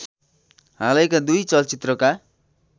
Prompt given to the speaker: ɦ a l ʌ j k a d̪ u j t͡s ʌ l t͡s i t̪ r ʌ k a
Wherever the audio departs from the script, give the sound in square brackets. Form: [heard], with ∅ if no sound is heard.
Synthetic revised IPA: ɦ a l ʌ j k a d̪ u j t͡s ʌ l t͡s i t̪ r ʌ k a